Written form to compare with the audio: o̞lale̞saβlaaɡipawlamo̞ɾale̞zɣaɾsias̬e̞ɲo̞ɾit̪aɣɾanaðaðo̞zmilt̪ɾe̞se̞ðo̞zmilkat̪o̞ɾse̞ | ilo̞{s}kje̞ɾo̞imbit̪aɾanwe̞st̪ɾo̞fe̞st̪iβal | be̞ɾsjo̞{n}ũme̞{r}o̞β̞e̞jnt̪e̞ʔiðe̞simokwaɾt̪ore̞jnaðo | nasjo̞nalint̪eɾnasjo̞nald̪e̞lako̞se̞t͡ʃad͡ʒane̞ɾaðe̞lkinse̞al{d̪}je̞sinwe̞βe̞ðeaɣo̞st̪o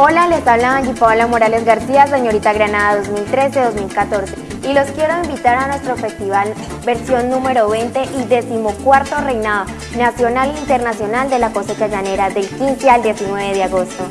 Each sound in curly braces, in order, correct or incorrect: correct, incorrect: nː, incorrect: ɾ, correct

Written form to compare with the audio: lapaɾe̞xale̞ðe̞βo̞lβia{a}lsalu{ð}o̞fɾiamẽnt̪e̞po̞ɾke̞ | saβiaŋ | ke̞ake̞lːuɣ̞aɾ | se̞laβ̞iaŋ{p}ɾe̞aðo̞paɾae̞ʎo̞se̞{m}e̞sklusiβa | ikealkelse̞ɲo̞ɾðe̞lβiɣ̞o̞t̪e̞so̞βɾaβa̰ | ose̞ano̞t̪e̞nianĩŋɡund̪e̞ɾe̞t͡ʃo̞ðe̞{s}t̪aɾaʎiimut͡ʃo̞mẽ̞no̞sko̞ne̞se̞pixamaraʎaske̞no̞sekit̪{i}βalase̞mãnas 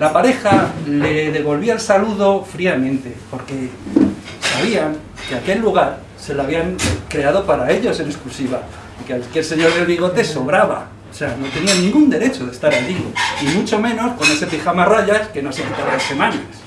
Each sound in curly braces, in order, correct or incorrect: incorrect: e, correct, incorrect: k, incorrect: n, correct, incorrect: a

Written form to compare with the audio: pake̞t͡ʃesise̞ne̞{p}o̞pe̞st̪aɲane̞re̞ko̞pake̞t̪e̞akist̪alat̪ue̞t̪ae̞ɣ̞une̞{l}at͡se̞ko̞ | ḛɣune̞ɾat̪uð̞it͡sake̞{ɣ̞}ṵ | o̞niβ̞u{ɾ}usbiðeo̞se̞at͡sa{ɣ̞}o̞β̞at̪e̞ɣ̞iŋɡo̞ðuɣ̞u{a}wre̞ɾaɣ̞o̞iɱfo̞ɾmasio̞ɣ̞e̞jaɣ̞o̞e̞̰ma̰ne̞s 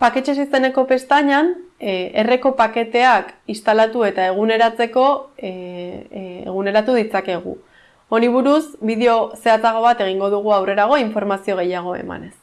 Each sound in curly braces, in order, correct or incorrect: incorrect: k, incorrect: ɾ, correct, correct, correct, correct

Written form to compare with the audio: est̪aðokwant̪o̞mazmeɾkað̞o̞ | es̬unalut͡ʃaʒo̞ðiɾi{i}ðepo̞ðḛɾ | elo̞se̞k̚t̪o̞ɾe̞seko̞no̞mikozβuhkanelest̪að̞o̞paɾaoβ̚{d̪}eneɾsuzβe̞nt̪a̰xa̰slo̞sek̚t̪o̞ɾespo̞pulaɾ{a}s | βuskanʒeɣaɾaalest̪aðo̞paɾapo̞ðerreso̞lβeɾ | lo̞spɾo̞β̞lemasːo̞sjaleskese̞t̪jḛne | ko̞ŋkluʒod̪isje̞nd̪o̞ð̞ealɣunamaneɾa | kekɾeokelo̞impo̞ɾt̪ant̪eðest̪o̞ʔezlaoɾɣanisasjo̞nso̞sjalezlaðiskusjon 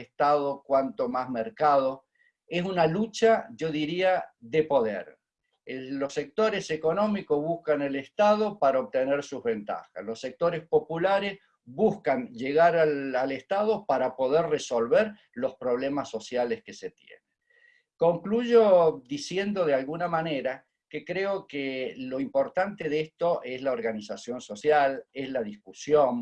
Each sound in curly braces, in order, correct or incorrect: incorrect: a, incorrect: t̪, incorrect: e

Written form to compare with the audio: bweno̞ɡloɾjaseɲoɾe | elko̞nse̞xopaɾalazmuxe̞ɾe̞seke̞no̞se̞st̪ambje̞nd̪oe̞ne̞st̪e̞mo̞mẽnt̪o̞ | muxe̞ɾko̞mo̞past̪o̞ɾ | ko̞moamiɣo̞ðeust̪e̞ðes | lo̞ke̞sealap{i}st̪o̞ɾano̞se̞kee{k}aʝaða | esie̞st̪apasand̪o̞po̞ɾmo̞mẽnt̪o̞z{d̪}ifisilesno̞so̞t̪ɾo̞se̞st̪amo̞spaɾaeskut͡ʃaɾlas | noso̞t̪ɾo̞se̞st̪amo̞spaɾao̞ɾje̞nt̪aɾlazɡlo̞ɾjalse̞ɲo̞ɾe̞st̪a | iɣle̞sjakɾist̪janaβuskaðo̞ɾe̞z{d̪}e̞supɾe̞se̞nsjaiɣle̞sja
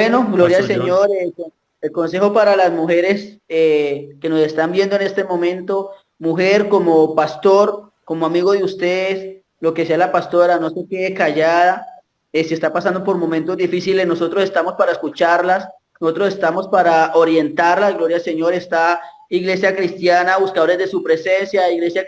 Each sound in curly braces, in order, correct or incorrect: incorrect: a, correct, correct, correct

